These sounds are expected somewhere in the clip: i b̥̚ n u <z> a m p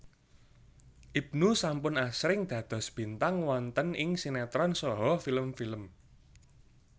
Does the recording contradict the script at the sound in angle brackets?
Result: yes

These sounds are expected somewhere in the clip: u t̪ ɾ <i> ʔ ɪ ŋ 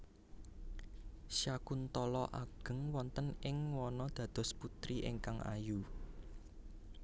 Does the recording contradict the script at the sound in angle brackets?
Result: no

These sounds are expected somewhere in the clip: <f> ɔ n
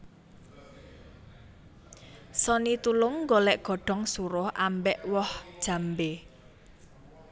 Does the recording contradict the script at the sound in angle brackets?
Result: yes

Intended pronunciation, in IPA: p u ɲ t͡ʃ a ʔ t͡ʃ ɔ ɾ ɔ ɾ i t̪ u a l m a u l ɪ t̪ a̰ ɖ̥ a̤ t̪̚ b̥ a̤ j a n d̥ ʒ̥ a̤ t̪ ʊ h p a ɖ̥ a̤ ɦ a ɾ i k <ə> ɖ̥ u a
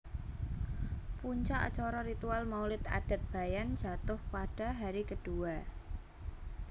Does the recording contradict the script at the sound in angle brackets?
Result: no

